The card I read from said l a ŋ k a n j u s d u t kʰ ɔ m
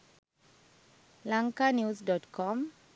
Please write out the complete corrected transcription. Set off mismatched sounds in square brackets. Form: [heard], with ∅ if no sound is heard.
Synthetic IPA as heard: l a ŋ k a n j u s d [ɔ] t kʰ ɔ m

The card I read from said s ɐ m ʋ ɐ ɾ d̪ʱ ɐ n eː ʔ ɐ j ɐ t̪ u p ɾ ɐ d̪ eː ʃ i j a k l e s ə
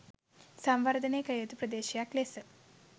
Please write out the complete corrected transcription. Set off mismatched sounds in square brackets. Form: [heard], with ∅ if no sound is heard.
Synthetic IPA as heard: s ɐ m ʋ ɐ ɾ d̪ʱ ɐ n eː [k] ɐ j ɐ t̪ u p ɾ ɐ d̪ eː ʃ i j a k l e s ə

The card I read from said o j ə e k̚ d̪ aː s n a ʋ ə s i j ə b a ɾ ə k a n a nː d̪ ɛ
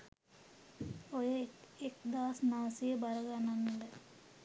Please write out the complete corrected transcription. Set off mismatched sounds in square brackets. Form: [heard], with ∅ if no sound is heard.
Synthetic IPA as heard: o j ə e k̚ d̪ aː s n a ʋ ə s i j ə b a ɾ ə [ɡ] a n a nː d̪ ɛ

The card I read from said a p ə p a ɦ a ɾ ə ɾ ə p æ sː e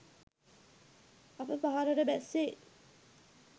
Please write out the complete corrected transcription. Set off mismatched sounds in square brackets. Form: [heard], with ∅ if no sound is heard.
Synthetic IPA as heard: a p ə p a ɦ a ɾ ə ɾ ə [b] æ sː e

